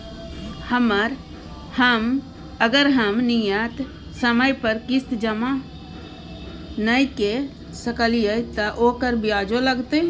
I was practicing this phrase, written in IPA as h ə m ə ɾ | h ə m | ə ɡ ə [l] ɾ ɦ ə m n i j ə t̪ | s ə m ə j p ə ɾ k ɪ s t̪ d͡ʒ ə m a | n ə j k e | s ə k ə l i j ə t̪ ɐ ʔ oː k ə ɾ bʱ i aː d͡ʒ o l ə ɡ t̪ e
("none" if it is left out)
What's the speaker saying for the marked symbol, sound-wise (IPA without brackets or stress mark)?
none